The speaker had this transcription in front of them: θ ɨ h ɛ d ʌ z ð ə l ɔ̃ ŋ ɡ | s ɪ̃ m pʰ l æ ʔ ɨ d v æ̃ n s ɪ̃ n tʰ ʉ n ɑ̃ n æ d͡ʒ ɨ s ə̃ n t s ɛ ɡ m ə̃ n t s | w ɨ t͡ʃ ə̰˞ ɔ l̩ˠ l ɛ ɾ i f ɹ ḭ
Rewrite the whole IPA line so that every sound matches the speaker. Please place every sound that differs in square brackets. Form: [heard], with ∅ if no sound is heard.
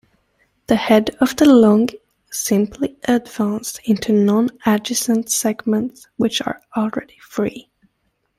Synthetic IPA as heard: [ð] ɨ h ɛ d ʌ [v] ð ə l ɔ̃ ŋ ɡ | s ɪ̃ m pʰ l [i] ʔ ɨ d v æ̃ n s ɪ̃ n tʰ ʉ n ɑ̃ n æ d͡ʒ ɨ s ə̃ n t s ɛ ɡ m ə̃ n t s | w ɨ t͡ʃ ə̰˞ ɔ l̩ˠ [ɹ] ɛ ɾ i f ɹ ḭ